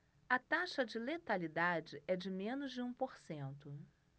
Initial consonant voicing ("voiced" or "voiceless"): voiceless